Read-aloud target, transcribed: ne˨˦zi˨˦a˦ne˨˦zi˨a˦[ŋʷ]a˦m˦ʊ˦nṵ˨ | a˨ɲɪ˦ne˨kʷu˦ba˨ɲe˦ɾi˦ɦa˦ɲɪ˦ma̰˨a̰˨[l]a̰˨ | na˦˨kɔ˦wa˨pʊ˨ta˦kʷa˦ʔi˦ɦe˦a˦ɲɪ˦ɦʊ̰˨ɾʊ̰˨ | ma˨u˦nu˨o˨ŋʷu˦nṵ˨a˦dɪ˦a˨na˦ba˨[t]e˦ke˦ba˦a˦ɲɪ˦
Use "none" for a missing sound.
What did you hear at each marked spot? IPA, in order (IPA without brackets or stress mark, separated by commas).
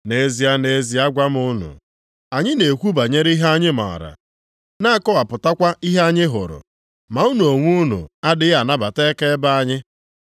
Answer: ɡʷ, ɾ, t